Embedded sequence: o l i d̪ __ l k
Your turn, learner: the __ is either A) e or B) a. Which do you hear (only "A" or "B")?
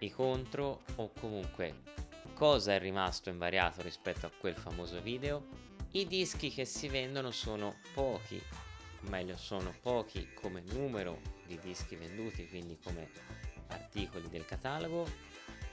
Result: A